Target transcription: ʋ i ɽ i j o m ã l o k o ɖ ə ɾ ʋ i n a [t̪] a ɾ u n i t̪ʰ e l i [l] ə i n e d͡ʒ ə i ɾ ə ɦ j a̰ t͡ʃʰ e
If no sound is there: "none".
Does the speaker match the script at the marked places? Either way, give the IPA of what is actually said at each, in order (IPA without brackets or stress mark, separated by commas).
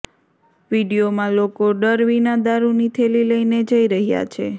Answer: d̪, l